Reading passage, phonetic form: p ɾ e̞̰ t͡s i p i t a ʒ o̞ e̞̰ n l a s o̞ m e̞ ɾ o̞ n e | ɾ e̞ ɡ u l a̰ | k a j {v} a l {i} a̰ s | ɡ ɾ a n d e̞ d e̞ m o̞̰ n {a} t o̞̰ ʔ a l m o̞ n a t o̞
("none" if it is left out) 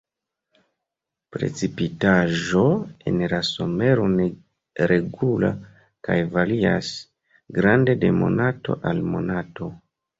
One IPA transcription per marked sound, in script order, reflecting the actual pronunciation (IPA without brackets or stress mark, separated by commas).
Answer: v, i, a